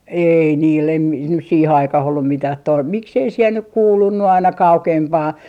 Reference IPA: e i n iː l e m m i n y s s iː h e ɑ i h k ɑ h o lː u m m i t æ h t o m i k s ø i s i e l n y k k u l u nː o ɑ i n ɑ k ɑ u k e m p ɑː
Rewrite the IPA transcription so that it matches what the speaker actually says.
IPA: e i n iː l e m m i n y s s iː h e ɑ i k ɑ h o lː u m m i t æ h t o m i k s e i s i e l n y k k uː l u nː u ɑ i n ɑ k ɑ u k e m p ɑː